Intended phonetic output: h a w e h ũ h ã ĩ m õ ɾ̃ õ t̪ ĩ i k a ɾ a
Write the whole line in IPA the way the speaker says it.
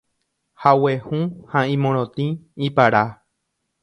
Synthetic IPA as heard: h a w e h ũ h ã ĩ m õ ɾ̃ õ t̪ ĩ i p a ɾ a